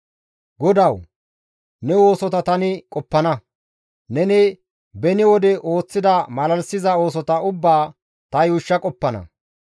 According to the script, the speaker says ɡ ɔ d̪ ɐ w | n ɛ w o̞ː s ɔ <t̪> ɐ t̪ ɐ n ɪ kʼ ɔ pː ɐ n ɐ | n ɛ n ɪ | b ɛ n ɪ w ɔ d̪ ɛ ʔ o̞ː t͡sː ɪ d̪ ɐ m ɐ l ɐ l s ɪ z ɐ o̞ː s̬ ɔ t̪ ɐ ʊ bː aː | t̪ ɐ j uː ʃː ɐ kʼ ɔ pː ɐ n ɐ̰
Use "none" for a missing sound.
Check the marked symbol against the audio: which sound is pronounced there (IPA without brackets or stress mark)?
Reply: t̪